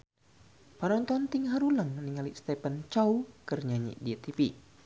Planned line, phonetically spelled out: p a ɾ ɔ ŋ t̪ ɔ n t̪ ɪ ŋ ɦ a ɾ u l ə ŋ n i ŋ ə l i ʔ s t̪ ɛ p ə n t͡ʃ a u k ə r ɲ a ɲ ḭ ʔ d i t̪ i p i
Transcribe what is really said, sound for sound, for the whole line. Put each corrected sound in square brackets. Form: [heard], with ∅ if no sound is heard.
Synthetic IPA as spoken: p a ɾ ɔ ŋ t̪ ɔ n t̪ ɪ ŋ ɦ a ɾ u l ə ŋ n i ŋ [a] l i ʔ s t̪ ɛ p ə n t͡ʃ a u k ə r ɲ a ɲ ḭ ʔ d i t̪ i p i

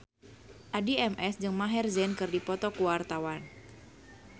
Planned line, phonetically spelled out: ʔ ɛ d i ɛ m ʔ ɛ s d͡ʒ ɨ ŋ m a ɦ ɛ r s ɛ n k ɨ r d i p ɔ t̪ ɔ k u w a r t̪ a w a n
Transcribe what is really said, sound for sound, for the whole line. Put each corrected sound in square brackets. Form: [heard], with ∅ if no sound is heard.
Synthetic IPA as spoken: ʔ [a] d i ɛ m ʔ ɛ s d͡ʒ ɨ ŋ m a ɦ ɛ r [z] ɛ n k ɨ r d i p ɔ t̪ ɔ k u w a r t̪ a w a n

